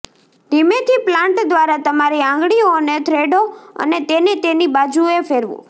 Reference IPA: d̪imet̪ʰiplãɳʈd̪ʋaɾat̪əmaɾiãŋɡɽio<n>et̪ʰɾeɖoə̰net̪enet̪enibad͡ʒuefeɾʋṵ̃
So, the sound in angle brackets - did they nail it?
yes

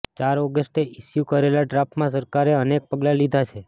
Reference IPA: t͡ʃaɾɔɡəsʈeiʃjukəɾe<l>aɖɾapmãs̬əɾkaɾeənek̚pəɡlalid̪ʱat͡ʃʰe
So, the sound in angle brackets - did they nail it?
yes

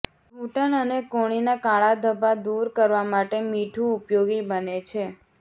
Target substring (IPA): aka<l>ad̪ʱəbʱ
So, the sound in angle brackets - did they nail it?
no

